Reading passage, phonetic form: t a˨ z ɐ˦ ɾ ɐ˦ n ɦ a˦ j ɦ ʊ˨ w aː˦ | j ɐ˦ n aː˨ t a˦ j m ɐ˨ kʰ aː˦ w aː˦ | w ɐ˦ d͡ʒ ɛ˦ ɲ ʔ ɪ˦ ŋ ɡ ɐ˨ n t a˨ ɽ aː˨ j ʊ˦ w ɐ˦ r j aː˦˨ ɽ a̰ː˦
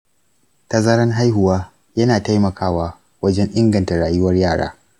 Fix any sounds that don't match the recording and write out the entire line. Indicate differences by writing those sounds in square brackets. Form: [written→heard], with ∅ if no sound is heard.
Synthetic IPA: t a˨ z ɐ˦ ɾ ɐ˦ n ɦ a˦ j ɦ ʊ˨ w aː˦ | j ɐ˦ n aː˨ t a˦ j m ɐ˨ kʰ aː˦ w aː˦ | w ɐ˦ d͡ʒ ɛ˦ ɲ ʔ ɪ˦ ŋ ɡ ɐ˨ n t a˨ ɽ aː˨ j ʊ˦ w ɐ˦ r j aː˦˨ ɽ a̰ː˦